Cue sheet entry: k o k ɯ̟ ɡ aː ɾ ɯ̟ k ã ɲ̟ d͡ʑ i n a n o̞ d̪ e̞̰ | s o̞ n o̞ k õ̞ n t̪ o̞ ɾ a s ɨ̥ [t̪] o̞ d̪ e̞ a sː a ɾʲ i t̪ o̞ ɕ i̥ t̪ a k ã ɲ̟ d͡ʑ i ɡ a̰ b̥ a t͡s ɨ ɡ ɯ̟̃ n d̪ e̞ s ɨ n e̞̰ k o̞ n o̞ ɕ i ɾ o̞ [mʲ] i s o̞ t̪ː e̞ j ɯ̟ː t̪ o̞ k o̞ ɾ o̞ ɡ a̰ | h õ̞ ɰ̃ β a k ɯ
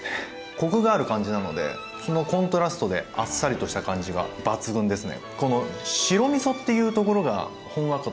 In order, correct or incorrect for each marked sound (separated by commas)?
correct, correct